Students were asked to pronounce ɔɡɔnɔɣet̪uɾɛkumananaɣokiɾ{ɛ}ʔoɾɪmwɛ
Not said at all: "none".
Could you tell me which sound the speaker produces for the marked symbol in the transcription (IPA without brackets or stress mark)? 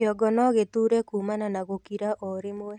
a